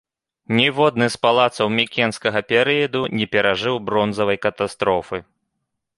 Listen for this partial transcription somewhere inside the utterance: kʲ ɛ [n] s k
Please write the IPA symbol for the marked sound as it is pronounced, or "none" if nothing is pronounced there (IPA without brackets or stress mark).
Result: n